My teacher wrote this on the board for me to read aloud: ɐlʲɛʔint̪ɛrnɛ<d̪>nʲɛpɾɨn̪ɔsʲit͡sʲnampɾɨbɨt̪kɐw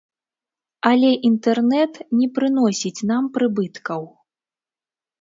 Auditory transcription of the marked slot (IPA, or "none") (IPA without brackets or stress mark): t̪